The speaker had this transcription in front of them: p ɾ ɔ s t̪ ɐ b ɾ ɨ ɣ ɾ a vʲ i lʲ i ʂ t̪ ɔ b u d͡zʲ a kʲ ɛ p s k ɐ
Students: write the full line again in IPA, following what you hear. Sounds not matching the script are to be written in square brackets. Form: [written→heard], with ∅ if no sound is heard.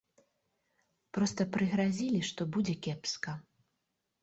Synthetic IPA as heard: p ɾ ɔ s t̪ ɐ [b→p] ɾ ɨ ɣ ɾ a [vʲ→zʲ] i lʲ i ʂ t̪ ɔ b u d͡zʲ [a→ɛ] kʲ ɛ p s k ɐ